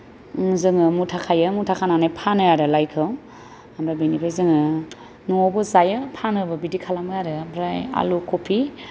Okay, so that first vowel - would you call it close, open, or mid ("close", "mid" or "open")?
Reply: close